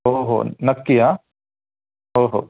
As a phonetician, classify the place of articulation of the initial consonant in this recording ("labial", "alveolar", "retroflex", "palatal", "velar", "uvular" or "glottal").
glottal